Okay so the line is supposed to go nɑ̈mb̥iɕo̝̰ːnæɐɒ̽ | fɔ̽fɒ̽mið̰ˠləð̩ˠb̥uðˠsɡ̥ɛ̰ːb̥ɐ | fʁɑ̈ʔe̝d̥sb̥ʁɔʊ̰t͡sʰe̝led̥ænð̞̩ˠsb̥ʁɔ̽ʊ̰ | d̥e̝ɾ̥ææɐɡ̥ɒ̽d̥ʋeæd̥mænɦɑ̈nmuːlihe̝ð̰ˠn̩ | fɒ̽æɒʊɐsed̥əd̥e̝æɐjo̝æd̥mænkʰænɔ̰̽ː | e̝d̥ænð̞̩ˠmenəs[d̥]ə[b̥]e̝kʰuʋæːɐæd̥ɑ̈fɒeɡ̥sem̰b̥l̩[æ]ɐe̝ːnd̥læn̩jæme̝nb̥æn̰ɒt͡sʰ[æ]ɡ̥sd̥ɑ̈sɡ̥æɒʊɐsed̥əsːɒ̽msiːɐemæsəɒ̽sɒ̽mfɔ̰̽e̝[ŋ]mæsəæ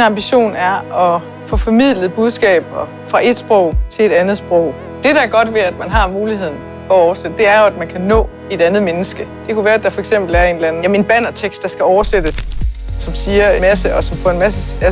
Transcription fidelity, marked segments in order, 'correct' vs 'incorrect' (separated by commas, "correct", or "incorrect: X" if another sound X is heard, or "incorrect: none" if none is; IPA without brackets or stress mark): incorrect: ɡ̥, incorrect: d̥, correct, incorrect: e, incorrect: n